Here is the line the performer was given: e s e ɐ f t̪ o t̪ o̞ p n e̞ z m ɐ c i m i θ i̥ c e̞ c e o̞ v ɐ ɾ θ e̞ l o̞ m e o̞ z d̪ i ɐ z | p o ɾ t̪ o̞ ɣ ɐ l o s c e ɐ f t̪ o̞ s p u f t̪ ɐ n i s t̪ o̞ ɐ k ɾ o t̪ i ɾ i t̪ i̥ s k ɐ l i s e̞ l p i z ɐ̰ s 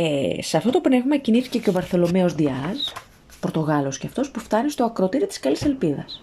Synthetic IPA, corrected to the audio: e s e ɐ f t̪ o t̪ o̞ p n e̞ v m ɐ c i n i θ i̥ c e̞ c e o̞ v ɐ ɾ θ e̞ l o̞ m e o̞ z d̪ i ɐ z | p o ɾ t̪ o̞ ɣ ɐ l o s c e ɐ f t̪ o̞ s p u f t̪ ɐ n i s t̪ o̞ ɐ k ɾ o t̪ i ɾ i t̪ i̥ s k ɐ l i s e̞ l p i ð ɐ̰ s